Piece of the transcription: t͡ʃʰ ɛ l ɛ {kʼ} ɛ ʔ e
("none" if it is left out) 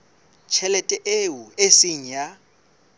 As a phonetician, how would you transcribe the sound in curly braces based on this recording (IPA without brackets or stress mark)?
tʼ